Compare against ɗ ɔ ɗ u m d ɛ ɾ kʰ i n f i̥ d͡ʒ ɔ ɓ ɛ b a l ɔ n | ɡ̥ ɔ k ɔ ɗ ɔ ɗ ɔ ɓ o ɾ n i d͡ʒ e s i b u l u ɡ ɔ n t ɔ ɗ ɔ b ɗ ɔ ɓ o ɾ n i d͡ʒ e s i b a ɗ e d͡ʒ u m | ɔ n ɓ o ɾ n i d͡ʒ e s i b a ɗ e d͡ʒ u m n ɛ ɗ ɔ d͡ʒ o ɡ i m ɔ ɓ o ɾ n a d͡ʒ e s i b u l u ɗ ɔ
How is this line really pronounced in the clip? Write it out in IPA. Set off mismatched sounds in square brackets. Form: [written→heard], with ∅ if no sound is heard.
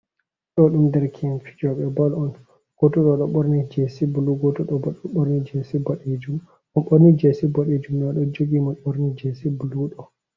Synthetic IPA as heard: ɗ ɔ ɗ u m d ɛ ɾ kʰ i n f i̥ d͡ʒ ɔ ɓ ɛ b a l ɔ n | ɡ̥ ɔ [k→t] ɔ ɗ ɔ ɗ ɔ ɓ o ɾ n i d͡ʒ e s i b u l u ɡ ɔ [n→∅] t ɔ ɗ ɔ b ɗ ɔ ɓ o ɾ n i d͡ʒ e s i b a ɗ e d͡ʒ u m | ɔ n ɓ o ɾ n i d͡ʒ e s i b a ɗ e d͡ʒ u m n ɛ ɗ ɔ d͡ʒ o ɡ i m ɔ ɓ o ɾ n [a→i] d͡ʒ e s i b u l u ɗ ɔ